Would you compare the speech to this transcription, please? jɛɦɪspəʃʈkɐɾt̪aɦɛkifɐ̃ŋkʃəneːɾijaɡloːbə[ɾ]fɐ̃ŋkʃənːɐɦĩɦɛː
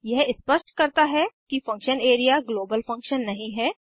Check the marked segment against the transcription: incorrect: l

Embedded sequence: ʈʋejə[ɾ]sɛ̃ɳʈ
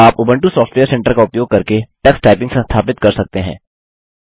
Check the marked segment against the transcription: correct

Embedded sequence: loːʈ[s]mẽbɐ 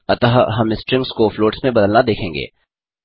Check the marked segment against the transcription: correct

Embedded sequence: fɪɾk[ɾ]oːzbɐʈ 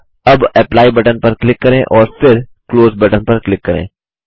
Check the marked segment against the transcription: incorrect: l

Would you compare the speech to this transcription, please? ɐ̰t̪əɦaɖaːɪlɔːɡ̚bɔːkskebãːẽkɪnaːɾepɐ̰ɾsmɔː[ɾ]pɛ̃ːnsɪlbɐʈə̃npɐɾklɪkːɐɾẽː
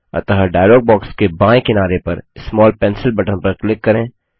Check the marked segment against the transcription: incorrect: l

